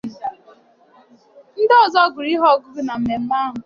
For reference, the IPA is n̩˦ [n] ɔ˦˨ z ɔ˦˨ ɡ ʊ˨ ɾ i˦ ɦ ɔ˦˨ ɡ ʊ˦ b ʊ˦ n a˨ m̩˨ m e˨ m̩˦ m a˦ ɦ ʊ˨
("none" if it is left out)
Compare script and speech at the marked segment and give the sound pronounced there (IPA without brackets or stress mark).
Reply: d